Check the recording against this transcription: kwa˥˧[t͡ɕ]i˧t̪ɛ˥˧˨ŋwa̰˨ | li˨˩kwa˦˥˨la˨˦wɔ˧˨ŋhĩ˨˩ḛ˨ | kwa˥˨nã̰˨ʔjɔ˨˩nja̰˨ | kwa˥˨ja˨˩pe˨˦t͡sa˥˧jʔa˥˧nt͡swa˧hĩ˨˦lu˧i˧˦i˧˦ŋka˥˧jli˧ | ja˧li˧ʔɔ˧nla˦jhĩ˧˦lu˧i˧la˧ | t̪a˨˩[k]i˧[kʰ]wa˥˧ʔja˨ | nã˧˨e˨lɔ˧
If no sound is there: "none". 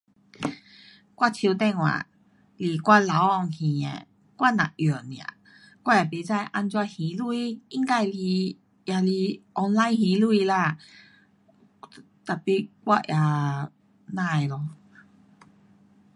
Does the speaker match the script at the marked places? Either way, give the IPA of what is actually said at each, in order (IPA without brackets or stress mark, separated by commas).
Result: t͡ɕʰ, p, k